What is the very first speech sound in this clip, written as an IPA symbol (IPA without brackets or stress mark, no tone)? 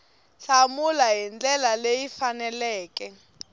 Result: ɬ